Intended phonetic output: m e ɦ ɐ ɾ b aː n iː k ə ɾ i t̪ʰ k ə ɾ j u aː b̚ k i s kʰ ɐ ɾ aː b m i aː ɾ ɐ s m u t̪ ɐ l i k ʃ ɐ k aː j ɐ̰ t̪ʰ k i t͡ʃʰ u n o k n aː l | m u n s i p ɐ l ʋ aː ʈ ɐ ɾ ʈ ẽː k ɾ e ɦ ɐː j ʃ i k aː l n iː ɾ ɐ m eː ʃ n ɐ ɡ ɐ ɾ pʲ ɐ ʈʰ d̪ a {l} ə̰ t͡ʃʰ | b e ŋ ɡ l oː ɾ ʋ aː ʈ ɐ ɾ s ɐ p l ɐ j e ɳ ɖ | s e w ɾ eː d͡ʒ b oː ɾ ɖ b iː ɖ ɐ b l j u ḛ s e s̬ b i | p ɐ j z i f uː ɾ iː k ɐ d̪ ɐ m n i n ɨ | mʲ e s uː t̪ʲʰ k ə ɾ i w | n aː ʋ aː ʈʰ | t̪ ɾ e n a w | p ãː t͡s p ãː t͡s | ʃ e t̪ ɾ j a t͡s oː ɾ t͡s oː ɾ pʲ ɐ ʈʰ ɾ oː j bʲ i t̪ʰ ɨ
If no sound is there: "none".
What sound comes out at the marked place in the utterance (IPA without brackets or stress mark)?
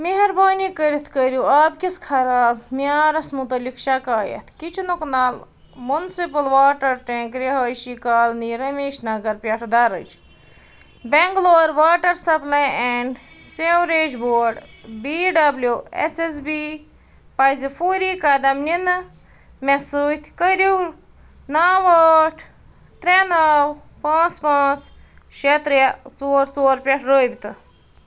ɾ